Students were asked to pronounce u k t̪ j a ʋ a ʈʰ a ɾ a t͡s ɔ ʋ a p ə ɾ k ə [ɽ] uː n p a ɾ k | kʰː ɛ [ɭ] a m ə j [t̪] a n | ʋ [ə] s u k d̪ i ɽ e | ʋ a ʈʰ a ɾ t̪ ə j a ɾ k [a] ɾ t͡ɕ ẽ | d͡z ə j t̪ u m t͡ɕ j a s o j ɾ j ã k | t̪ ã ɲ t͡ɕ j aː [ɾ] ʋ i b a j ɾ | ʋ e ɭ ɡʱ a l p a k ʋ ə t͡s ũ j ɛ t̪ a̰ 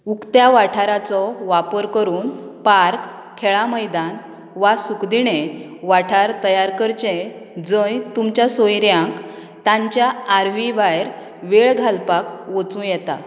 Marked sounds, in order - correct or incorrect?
incorrect: ɾ, correct, incorrect: d̪, incorrect: a, incorrect: ə, correct

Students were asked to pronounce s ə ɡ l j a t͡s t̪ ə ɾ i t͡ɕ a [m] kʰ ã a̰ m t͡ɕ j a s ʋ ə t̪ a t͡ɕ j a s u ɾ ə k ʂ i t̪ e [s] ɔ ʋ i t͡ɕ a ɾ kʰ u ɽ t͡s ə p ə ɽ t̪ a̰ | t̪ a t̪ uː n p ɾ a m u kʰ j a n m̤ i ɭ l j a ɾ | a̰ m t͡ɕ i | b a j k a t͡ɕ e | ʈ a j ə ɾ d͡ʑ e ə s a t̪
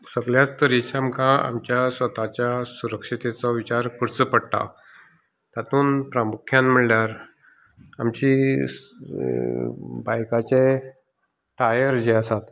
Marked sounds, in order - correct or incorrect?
correct, incorrect: t͡s

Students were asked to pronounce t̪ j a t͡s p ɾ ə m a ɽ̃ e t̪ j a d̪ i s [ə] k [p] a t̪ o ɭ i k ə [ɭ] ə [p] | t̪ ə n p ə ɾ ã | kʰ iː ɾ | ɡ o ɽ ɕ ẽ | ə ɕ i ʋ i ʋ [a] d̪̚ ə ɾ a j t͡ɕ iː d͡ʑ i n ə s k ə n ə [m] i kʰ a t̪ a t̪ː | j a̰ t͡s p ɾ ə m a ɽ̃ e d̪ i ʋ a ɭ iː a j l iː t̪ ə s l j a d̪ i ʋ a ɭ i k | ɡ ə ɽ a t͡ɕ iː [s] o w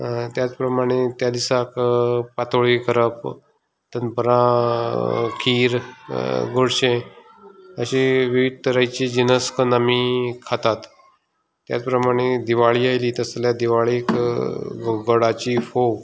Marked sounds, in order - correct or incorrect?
incorrect: a, correct, incorrect: ɾ, correct, incorrect: i, correct, incorrect: f

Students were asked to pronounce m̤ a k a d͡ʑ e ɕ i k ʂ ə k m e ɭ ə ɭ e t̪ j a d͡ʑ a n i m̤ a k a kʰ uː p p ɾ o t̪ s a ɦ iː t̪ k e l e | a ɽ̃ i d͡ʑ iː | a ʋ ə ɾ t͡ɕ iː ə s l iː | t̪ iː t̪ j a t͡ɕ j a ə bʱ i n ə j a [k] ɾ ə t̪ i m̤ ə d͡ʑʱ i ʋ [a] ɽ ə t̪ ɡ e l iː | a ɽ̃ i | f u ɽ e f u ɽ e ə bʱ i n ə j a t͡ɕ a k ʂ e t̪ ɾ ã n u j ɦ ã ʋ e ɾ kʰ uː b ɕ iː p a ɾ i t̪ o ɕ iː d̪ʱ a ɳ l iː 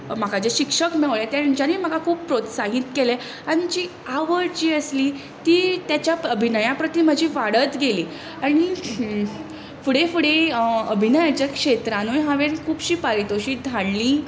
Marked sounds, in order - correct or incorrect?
incorrect: p, correct

